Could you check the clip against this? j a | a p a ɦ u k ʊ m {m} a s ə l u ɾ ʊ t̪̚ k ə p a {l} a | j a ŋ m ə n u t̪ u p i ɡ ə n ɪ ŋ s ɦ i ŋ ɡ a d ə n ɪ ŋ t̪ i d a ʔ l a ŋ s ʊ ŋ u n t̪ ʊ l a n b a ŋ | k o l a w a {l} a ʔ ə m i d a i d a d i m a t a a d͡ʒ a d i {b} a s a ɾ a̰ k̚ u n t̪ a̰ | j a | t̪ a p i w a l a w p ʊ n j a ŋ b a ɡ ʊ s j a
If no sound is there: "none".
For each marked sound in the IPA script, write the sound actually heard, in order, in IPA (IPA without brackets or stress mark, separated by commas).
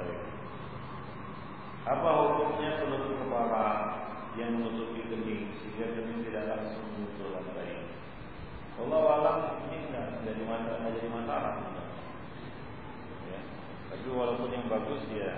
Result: ɲ, l, l, m